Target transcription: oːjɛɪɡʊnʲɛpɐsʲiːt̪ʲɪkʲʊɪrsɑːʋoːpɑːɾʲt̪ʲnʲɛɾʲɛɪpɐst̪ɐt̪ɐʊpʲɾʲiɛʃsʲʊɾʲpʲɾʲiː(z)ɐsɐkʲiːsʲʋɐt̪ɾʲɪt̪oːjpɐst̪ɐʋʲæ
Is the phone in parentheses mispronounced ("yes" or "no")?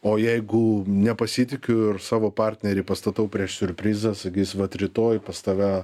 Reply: no